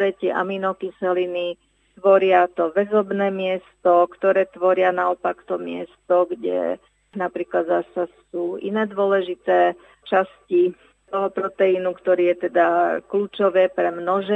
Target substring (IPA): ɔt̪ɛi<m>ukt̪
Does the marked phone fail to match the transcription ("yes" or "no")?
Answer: yes